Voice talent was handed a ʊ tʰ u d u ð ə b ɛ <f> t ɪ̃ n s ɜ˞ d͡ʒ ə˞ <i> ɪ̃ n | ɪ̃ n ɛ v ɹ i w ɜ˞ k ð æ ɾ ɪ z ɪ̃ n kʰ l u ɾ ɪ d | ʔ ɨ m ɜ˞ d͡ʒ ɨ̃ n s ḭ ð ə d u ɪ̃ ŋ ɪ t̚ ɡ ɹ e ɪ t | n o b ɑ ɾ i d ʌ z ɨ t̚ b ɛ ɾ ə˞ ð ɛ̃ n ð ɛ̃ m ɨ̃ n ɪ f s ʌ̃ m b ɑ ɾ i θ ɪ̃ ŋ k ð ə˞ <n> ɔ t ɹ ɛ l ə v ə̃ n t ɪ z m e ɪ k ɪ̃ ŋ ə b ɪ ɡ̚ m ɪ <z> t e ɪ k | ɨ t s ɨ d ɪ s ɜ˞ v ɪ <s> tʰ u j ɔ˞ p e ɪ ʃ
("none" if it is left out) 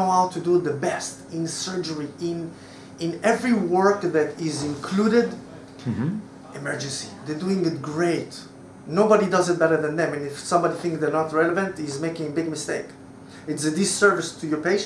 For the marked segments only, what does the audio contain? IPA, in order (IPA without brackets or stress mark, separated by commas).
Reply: s, i, n, s, s